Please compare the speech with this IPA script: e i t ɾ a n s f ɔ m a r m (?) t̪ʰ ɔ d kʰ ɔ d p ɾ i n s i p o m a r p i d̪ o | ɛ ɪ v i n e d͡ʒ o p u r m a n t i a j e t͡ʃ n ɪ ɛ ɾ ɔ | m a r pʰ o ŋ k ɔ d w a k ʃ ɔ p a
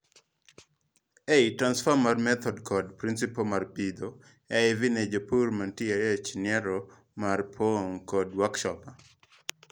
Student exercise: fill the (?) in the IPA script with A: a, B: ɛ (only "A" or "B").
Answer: B